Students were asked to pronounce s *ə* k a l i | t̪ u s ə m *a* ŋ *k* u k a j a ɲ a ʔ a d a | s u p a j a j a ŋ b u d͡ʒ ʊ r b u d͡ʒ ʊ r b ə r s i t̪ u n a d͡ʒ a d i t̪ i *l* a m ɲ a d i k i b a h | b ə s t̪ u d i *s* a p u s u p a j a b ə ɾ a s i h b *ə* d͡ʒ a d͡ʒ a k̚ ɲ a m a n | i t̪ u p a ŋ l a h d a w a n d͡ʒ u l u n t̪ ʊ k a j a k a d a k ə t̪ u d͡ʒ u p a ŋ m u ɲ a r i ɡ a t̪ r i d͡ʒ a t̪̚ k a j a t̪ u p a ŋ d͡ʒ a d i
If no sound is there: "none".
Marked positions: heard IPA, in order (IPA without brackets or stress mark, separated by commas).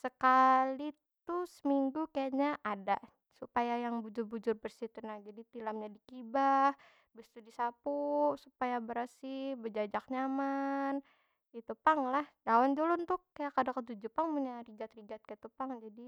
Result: ə, i, ɡ, l, s, ə